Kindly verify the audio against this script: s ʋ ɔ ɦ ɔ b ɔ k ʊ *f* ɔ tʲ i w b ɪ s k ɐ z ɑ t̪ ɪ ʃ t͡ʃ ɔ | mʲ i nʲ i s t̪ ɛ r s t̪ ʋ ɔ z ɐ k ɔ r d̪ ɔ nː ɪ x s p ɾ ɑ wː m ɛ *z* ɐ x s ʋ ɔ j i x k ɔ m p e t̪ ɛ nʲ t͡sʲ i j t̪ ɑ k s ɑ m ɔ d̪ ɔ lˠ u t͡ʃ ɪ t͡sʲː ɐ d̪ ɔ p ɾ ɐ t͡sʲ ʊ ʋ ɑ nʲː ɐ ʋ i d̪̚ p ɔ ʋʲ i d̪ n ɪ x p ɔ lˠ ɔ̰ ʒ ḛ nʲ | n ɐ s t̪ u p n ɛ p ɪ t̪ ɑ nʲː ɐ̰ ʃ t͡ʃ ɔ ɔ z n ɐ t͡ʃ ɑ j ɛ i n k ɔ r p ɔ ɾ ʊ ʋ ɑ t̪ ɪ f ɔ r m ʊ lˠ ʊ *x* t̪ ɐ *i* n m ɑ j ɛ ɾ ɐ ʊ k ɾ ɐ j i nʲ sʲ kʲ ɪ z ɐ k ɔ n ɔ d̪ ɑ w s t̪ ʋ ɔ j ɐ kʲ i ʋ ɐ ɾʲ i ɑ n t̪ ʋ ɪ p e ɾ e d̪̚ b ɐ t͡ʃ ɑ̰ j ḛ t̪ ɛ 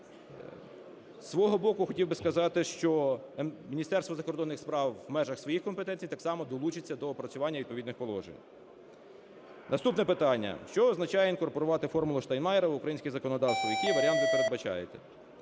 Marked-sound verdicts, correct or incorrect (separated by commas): incorrect, incorrect, incorrect, incorrect